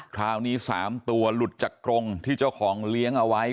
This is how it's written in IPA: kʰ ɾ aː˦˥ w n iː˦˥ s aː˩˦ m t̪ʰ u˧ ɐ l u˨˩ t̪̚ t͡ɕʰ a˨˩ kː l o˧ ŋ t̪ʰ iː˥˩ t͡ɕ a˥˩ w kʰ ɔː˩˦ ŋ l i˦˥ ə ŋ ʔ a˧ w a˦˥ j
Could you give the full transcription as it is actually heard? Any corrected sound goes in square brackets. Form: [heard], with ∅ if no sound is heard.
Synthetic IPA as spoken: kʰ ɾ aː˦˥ w n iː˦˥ s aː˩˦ m [t̪] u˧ ɐ l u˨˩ t̪̚ [t͡ɕ] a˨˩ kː [ɾ] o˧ ŋ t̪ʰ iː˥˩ t͡ɕ a˥˩ w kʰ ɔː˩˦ ŋ l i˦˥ ə ŋ ʔ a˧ w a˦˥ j